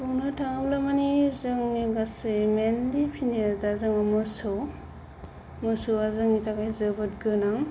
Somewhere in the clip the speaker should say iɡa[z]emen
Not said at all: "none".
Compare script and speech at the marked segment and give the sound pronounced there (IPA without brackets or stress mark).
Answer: s